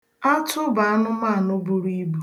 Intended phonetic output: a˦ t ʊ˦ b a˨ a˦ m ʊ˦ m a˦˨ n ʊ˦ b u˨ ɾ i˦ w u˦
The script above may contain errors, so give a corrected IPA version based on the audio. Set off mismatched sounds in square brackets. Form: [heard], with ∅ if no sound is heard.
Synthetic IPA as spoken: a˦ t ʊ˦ b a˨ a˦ [n] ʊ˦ m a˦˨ n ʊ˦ b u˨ ɾ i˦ [b] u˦